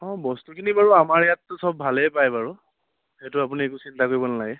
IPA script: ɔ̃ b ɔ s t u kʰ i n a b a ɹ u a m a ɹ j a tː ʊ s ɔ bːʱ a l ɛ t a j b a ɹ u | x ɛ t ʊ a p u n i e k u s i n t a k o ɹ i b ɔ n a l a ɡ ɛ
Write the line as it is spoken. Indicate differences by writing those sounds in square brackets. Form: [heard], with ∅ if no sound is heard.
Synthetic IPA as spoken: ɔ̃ b ɔ s t u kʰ i n [i] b a ɹ u a m a ɹ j a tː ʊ s ɔ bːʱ a l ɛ [p] a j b a ɹ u | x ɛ t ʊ a p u n i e k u s i n t a k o ɹ i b ɔ n a l a ɡ ɛ

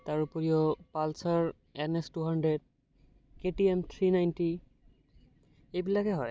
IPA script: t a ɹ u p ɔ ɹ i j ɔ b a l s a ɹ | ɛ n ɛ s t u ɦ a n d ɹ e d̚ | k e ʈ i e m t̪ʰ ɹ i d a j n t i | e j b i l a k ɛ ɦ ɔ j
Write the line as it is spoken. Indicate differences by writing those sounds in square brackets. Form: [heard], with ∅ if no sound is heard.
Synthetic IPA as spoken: t a ɹ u p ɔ ɹ i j ɔ [p] a l s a ɹ | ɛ n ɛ s t u ɦ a n d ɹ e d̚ | k e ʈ i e m t̪ʰ ɹ i [n] a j n t i | e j b i l a k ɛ ɦ ɔ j

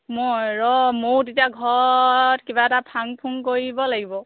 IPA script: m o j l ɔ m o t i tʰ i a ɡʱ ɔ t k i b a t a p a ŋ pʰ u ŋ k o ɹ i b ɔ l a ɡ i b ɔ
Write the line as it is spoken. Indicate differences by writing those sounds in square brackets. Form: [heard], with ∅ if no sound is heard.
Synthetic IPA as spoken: m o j [ɹ] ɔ m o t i [t] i a ɡʱ ɔ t k i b a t a [pʰ] a ŋ pʰ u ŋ k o ɹ i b ɔ l a ɡ i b ɔ

